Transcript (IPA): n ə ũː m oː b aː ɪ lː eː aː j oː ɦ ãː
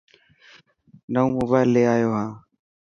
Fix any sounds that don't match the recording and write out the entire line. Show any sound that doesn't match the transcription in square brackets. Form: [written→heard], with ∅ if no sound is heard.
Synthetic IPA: n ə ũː m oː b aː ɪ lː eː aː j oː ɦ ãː